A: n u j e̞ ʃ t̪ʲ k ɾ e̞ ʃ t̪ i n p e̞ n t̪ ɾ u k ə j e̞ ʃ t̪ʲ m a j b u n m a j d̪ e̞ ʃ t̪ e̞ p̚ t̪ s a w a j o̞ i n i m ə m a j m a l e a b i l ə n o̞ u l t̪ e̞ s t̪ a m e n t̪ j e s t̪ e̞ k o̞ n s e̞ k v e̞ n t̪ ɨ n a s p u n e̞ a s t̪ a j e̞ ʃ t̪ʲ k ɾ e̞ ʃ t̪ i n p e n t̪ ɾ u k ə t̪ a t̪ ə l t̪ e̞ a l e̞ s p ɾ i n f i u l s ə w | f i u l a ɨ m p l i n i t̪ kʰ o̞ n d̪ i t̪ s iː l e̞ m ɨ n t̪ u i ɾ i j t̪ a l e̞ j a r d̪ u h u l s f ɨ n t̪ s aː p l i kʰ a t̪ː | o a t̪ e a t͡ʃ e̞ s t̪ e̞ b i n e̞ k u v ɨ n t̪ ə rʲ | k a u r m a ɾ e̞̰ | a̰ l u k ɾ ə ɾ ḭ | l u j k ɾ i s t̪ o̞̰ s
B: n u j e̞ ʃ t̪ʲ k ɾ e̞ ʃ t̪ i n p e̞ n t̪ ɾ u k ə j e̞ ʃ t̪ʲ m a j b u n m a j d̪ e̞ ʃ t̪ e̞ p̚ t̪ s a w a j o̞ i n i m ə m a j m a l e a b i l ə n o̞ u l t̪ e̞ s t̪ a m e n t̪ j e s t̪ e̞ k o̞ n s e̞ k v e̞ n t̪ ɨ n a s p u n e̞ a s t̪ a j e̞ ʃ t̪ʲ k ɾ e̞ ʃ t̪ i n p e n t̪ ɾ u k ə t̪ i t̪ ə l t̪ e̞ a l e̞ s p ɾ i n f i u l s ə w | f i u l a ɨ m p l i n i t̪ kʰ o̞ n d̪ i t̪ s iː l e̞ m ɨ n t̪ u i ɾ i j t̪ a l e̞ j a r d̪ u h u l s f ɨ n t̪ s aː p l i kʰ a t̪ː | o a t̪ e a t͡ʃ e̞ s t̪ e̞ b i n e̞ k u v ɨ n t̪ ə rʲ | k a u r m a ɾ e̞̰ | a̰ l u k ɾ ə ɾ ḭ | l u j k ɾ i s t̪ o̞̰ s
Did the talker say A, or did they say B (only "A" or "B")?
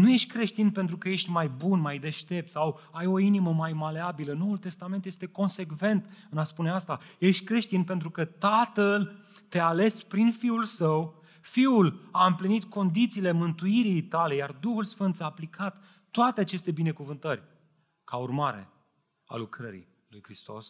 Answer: A